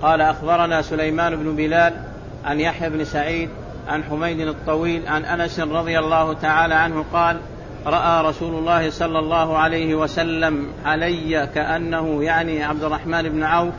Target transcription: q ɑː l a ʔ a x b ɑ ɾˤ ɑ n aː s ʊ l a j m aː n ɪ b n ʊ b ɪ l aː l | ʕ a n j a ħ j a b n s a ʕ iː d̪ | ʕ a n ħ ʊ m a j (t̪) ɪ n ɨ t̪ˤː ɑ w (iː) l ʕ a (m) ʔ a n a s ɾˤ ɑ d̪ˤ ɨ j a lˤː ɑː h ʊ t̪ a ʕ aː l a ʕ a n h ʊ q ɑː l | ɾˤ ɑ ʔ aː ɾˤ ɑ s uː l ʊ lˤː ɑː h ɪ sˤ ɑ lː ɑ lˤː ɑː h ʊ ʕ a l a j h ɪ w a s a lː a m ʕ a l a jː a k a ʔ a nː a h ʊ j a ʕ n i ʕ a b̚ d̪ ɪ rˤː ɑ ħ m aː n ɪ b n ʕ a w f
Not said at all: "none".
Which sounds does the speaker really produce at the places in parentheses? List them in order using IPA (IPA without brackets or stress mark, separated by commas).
d̪, iː, n